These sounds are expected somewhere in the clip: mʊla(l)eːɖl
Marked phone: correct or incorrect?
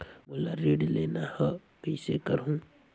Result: incorrect: ɾ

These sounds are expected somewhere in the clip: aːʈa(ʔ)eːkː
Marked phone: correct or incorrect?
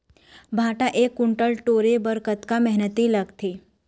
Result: correct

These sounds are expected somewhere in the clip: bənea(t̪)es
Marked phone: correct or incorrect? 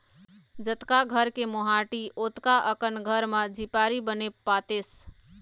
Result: correct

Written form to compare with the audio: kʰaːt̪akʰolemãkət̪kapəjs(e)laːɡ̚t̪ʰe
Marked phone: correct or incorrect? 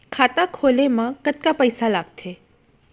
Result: incorrect: a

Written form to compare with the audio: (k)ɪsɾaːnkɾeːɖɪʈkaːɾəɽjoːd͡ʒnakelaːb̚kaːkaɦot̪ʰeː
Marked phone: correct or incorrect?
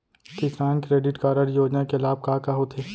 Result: correct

